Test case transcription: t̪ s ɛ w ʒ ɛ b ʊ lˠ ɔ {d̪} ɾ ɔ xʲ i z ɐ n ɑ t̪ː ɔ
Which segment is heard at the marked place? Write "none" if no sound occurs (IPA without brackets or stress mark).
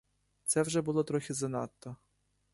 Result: t̪